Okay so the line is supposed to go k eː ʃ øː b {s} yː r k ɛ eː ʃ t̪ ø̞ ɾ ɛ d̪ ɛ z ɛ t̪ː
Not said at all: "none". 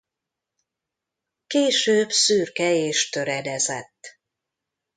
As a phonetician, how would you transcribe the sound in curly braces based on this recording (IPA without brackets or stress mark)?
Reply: s